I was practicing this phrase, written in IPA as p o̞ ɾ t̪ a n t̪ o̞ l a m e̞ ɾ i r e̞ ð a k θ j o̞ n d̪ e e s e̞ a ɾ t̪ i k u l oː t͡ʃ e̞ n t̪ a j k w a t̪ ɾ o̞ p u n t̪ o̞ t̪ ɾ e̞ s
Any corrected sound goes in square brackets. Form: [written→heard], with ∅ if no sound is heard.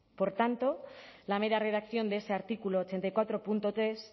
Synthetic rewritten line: p o̞ ɾ t̪ a n t̪ o̞ l a m e̞ ɾ [i→a] r e̞ ð a k θ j o̞ n d̪ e e s e̞ a ɾ t̪ i k u l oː t͡ʃ e̞ n t̪ a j k w a t̪ ɾ o̞ p u n t̪ o̞ t̪ ɾ e̞ s